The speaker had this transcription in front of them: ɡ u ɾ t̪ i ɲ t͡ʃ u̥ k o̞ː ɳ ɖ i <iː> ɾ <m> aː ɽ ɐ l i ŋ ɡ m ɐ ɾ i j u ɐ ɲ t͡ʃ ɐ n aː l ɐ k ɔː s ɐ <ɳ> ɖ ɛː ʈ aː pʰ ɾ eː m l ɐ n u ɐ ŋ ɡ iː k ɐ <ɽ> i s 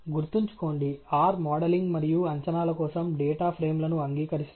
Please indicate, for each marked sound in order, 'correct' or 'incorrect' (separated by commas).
incorrect, correct, incorrect, incorrect